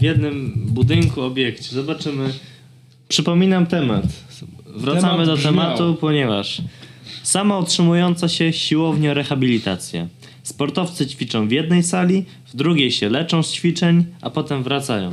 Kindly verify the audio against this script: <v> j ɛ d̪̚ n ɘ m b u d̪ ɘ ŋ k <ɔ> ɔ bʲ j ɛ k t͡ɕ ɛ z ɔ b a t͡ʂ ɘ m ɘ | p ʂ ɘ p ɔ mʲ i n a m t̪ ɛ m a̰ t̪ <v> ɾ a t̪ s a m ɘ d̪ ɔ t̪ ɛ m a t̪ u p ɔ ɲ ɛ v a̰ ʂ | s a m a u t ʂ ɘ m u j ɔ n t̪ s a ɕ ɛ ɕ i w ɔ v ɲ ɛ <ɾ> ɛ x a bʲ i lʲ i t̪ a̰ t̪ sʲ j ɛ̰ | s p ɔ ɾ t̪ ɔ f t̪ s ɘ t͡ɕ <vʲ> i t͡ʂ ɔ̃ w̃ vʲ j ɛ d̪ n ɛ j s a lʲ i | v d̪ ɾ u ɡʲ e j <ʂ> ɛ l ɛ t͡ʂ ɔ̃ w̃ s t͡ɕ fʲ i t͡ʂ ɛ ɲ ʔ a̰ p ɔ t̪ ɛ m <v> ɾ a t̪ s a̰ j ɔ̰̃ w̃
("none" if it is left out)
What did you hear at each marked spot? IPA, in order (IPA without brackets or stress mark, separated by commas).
v, u, v, ɾ, fʲ, ɕ, v